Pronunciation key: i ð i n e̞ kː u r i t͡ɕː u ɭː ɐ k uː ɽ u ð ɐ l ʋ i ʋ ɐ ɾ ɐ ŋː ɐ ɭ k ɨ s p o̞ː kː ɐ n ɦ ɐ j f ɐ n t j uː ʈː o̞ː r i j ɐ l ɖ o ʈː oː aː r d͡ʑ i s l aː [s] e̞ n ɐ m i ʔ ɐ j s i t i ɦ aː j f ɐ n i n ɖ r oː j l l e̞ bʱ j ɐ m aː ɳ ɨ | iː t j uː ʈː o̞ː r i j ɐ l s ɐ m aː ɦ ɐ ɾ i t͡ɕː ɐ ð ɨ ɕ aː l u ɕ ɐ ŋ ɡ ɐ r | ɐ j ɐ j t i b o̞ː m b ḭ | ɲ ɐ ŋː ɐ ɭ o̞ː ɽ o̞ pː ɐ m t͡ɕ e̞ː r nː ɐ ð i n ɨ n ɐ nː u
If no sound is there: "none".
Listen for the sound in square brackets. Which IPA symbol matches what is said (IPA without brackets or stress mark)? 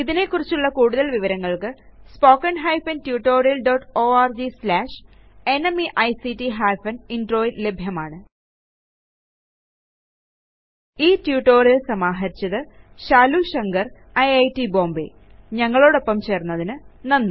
ʂ